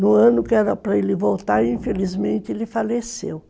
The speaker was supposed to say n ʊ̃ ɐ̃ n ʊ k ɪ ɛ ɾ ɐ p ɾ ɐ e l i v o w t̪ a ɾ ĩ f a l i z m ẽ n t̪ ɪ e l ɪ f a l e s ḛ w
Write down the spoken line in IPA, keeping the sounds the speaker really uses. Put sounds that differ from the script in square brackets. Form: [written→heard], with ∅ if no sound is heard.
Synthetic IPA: n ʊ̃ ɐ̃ n ʊ k ɪ ɛ ɾ ɐ p ɾ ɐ e l [i→ɪ] v o w t̪ a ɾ ĩ f [a→e] l i z m ẽ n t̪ ɪ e l ɪ f a l e s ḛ w